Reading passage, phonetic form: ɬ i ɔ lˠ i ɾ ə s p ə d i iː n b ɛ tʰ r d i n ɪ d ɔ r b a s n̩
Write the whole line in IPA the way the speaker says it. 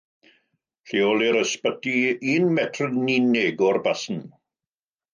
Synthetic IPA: ɬ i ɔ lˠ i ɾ ə s p ə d i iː n m ɛ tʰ r n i n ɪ ɡ ɔ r b a s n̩